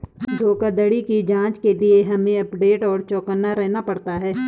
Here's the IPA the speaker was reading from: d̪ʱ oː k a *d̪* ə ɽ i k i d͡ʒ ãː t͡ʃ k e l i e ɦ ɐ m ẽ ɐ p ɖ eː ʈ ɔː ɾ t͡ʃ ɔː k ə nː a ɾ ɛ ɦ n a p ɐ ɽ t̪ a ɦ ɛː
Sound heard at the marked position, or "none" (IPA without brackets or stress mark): d̪